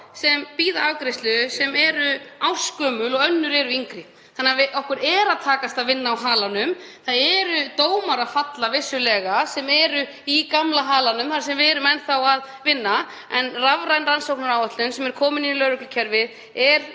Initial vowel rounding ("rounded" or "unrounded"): unrounded